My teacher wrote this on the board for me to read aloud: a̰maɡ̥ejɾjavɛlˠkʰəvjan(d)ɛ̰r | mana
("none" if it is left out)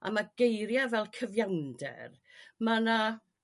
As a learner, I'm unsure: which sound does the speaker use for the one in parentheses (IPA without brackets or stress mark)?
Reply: d